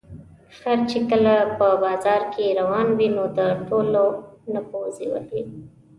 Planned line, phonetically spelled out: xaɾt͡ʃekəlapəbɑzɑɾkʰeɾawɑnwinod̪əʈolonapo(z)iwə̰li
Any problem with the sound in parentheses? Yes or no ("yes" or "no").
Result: no